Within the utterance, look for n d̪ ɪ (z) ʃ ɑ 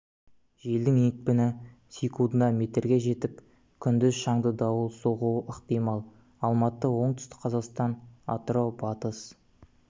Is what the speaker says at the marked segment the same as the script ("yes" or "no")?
yes